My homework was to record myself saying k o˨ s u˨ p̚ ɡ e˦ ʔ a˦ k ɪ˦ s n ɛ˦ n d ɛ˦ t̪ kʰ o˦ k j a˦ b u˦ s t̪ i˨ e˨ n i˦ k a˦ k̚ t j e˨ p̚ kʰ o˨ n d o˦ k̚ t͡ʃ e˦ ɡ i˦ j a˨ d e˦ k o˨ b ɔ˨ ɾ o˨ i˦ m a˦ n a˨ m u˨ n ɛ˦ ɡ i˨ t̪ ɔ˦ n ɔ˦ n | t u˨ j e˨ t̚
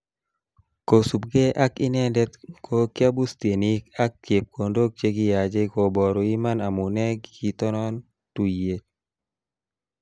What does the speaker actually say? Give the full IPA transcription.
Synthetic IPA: k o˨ s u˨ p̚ ɡ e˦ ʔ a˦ k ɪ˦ n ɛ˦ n d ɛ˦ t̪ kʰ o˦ k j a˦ b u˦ s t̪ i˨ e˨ n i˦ k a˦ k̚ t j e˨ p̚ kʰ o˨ n d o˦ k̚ t͡ʃ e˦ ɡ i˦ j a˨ d͡ʒ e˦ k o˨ b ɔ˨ ɾ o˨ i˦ m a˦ n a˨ m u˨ n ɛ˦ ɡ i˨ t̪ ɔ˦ n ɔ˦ n | t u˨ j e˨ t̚